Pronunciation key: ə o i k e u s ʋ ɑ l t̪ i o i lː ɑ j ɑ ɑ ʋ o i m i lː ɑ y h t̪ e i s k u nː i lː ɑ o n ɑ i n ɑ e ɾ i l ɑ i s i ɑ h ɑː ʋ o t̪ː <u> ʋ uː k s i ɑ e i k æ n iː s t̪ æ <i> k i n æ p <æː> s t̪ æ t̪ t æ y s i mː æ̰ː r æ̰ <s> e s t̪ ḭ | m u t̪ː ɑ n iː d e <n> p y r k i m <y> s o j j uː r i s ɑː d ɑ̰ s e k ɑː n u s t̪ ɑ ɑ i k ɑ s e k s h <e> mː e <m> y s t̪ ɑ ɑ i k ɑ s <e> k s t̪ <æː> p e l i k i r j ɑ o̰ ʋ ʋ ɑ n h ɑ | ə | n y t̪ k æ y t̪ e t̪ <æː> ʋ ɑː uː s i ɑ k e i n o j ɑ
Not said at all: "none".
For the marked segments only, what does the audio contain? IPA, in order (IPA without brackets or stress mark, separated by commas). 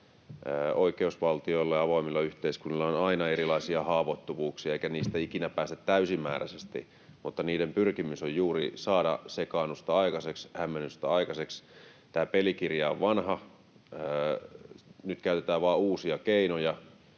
u, i, æː, s, m, y, æ, n, e, æː, æː